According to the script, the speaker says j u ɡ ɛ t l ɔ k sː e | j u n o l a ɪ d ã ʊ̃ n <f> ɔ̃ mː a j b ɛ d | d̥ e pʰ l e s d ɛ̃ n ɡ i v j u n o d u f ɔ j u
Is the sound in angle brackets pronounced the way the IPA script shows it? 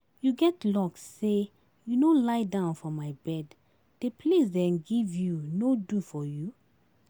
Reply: yes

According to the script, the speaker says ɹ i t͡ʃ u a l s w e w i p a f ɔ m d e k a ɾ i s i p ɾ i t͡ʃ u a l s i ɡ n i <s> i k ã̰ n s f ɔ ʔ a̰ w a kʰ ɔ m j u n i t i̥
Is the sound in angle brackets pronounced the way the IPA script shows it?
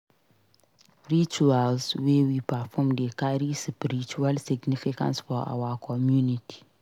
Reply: no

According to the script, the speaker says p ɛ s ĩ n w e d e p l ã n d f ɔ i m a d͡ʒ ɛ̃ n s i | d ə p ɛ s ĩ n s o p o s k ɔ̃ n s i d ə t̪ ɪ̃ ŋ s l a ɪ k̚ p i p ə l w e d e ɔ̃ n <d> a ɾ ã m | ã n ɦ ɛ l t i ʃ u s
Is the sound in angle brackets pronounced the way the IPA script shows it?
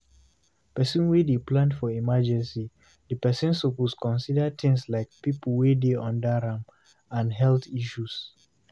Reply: yes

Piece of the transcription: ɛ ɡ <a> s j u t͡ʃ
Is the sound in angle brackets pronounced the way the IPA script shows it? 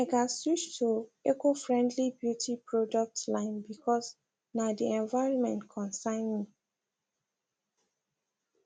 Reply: yes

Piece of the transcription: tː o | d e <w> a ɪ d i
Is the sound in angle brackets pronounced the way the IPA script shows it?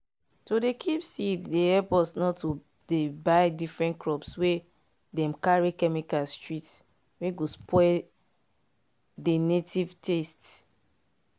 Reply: no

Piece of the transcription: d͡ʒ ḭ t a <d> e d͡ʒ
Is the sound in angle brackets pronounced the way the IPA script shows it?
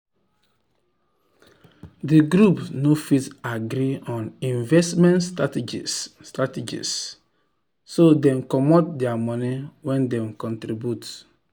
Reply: no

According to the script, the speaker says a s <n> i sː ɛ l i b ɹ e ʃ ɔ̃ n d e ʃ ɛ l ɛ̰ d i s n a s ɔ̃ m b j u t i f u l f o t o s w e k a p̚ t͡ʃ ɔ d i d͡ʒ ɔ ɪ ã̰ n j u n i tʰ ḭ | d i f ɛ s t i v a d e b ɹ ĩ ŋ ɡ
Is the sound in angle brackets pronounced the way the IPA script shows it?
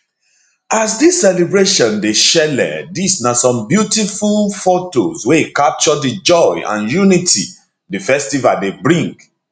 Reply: no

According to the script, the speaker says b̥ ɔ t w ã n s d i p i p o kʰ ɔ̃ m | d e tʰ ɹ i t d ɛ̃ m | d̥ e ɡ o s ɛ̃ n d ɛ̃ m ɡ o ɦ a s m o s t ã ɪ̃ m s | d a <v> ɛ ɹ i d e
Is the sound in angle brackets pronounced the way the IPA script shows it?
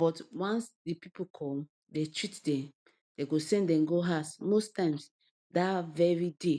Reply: yes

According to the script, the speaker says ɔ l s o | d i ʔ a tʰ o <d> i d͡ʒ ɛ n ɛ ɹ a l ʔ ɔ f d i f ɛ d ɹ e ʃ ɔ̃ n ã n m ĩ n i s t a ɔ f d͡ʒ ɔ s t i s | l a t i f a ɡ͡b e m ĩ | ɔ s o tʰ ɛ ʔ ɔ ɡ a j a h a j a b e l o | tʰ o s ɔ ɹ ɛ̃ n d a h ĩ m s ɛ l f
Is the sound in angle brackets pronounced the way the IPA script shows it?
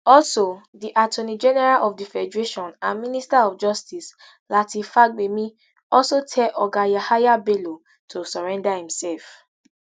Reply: no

